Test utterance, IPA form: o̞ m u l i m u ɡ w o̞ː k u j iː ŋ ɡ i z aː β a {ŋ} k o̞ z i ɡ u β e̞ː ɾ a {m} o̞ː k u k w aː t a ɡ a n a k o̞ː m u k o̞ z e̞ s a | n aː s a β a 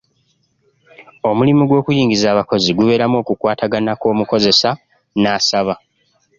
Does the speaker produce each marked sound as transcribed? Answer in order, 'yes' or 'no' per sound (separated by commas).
no, yes